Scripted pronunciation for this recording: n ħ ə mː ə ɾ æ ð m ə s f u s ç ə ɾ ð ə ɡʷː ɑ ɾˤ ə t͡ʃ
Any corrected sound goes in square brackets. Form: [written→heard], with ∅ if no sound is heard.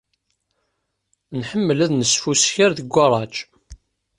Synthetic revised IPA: n ħ ə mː ə [ɾ→l] æ ð [m→n] ə s f u s ç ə ɾ ð ə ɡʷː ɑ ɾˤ [ə→ɑ] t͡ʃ